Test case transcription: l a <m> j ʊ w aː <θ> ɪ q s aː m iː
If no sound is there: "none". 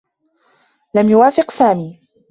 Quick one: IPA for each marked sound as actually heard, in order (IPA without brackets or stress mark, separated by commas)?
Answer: m, f